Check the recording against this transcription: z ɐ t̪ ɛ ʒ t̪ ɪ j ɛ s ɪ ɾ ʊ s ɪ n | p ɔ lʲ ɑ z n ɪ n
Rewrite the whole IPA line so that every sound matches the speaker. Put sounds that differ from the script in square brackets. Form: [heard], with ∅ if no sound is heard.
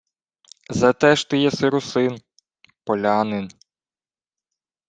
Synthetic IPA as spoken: z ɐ t̪ ɛ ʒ t̪ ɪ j ɛ s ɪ ɾ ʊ s ɪ n | p ɔ lʲ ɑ [∅] n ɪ n